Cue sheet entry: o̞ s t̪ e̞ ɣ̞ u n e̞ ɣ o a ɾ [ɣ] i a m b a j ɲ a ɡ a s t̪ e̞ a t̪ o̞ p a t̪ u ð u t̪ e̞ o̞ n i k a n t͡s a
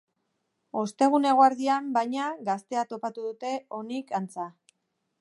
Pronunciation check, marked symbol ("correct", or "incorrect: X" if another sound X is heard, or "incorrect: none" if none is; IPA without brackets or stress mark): incorrect: ð